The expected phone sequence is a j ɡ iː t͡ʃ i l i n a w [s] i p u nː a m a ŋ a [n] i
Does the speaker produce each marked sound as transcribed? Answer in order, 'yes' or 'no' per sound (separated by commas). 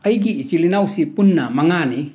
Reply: yes, yes